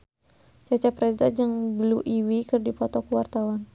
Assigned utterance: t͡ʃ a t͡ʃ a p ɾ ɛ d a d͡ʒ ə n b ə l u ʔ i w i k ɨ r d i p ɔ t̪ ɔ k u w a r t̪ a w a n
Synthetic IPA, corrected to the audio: t͡ʃ a t͡ʃ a p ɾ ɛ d a d͡ʒ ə ŋ b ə l u ʔ i w i k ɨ r d i p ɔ t̪ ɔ k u w a r t̪ a w a n